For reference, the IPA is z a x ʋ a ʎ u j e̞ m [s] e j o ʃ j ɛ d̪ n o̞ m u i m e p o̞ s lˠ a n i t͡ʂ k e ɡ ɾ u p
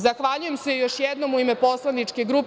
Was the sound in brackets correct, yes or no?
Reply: yes